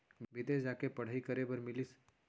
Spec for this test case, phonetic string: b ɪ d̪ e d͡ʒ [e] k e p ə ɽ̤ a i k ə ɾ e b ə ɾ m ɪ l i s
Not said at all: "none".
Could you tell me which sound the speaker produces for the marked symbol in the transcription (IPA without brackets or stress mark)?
a